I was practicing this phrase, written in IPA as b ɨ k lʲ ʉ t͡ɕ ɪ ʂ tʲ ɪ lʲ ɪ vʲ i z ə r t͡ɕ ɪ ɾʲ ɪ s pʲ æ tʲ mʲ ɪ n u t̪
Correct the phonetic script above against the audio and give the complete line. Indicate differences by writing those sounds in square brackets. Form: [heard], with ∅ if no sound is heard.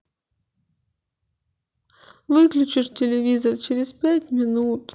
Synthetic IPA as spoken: [v] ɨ k lʲ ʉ t͡ɕ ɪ ʂ tʲ ɪ lʲ ɪ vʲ i z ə r t͡ɕ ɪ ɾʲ ɪ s pʲ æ tʲ mʲ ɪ n u t̪